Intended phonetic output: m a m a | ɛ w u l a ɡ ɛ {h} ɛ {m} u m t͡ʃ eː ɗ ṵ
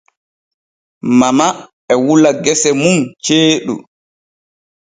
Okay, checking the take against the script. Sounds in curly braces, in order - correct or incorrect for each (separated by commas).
incorrect, correct